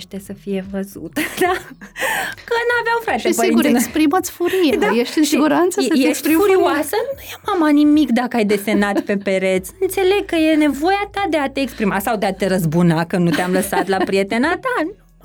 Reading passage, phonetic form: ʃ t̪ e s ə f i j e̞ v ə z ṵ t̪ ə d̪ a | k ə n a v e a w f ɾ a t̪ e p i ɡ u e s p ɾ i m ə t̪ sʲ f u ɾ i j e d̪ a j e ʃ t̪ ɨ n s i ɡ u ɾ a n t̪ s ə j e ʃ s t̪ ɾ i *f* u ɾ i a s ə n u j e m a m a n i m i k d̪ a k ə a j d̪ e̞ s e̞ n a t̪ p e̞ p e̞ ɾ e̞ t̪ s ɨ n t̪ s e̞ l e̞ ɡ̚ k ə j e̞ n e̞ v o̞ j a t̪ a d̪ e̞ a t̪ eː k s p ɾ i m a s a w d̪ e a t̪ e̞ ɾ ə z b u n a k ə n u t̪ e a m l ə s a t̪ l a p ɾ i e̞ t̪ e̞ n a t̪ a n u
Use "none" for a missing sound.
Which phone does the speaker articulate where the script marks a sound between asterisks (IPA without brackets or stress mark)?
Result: f